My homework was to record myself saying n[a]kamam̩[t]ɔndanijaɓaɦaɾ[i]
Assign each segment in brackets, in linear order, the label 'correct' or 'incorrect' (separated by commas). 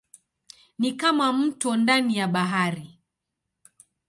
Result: incorrect, correct, correct